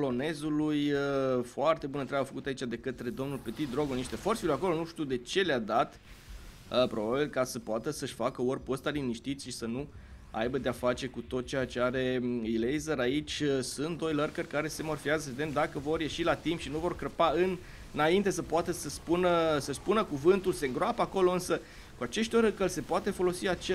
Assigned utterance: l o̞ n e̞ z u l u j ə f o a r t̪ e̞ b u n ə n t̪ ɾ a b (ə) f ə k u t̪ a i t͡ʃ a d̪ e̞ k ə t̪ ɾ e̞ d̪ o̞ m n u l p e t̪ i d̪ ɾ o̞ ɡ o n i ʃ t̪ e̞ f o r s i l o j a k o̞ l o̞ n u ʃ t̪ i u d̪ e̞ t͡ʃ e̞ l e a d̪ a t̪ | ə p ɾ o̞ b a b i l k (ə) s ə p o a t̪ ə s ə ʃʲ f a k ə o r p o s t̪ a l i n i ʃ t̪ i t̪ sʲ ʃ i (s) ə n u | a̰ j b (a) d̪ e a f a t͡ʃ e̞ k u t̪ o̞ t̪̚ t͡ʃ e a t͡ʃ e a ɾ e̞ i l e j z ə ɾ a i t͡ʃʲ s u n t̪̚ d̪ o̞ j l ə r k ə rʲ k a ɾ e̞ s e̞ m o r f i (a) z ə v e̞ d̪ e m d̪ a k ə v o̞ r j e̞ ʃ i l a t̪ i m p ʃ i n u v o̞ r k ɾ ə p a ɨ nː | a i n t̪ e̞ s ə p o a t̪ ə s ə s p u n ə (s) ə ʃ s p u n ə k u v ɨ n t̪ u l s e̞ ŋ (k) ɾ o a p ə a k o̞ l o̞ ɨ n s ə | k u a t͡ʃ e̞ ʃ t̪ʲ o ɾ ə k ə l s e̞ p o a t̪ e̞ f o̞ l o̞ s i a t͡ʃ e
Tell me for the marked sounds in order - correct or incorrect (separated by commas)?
incorrect, incorrect, correct, incorrect, correct, correct, incorrect